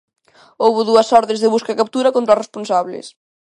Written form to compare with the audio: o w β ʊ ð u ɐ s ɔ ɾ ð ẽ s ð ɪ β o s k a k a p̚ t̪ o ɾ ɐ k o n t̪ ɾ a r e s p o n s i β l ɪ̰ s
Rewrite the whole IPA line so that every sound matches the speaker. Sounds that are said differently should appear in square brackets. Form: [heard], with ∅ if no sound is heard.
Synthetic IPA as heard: o w β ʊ ð u ɐ s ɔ ɾ ð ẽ [z] ð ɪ β [u] s k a k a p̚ t̪ [u] ɾ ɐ k o n t̪ ɾ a r e s p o n s [a] β l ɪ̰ s